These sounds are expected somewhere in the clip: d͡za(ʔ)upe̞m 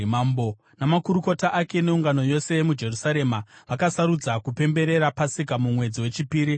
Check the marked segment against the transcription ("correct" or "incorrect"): incorrect